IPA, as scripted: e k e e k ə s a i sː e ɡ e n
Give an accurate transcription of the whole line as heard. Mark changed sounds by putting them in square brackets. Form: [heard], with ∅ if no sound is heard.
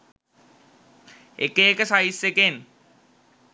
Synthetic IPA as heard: e k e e k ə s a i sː e [k] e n